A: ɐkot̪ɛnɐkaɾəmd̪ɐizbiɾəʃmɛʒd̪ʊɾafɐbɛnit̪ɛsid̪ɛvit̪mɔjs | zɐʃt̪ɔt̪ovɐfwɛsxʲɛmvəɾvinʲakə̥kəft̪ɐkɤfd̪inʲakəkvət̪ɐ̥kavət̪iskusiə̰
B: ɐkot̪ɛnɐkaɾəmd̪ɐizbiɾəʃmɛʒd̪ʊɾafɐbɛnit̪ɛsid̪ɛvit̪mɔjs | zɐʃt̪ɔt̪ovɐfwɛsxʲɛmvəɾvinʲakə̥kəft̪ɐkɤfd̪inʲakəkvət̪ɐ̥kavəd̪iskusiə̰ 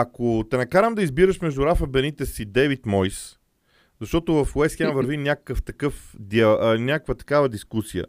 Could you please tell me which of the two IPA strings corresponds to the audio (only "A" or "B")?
B